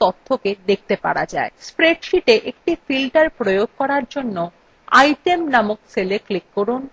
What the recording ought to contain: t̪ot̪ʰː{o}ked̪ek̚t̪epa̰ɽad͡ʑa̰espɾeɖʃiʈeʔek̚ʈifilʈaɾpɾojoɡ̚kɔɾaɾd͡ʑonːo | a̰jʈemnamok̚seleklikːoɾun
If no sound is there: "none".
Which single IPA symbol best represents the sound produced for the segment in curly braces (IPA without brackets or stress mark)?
o